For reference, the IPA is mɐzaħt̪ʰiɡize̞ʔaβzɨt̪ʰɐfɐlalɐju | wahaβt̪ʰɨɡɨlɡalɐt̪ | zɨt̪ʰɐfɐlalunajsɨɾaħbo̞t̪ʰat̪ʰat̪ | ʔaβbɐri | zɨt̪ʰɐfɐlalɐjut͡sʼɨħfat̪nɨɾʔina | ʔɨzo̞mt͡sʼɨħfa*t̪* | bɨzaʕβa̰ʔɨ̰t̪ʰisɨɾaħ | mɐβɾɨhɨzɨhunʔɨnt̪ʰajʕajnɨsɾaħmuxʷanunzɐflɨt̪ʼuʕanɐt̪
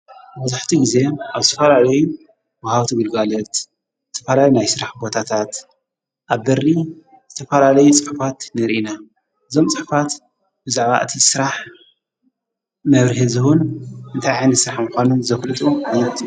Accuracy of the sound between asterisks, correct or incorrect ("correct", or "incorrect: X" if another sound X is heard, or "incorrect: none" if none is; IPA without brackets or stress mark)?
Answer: correct